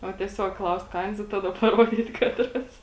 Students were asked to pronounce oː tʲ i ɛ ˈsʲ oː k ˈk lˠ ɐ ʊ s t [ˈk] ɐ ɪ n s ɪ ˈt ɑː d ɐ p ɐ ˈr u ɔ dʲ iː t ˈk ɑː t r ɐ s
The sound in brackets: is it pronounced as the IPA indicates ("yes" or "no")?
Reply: yes